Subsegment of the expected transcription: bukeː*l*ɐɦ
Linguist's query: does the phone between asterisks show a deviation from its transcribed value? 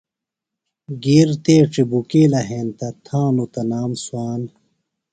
no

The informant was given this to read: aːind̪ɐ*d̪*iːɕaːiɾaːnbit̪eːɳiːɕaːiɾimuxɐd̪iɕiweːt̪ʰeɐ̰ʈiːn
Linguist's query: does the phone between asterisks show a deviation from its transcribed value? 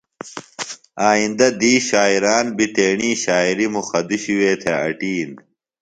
no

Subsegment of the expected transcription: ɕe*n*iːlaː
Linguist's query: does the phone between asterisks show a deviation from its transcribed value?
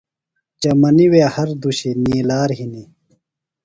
no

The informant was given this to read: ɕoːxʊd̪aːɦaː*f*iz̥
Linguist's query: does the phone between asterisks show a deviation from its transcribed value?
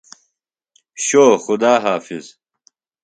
no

